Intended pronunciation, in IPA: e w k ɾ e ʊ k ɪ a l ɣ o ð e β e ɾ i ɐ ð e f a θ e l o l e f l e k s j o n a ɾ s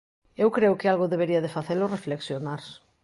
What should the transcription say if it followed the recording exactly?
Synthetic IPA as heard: e w k ɾ e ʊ k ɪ a l ɣ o ð e β e ɾ i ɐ ð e f a θ e l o r e f l e k s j o n a ɾ s